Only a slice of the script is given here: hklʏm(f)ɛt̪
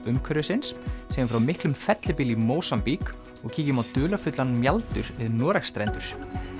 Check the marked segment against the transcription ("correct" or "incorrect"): correct